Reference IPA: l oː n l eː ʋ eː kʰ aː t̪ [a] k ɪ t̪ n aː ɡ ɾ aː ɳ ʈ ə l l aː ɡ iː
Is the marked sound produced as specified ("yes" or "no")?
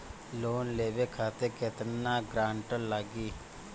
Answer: no